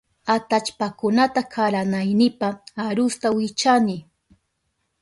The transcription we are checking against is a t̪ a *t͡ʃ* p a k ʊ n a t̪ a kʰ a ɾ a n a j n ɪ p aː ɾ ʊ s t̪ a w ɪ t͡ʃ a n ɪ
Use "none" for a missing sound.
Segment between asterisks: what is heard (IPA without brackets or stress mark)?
t͡ʃ